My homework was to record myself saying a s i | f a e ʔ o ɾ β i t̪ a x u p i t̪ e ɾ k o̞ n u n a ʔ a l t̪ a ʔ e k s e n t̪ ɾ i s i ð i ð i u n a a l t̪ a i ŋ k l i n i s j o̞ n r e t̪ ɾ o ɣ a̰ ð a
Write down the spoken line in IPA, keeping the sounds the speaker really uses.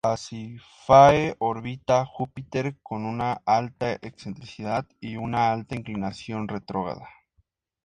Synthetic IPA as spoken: a s i | f a e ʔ o ɾ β i t̪ a x u p i t̪ e ɾ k o̞ n u n a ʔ a l t̪ a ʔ e k s e n t̪ ɾ i s i ð a ð i u n a a l t̪ a i ŋ k l i n a s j o̞ n r e t̪ ɾ o ɣ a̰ ð a